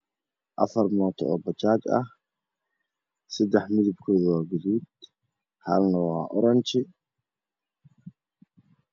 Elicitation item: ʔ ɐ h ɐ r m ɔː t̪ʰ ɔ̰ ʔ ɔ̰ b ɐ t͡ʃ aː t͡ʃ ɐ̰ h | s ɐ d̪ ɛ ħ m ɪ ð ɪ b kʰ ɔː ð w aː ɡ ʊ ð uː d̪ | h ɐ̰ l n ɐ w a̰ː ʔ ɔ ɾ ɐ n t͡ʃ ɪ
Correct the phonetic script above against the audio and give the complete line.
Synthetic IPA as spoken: ʔ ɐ f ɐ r m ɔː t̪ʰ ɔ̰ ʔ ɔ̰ b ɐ t͡ʃ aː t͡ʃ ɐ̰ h | s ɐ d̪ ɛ ħ m ɪ ð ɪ b kʰ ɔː ð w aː ɡ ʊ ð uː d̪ | h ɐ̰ l n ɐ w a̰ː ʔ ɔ ɾ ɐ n t͡ʃ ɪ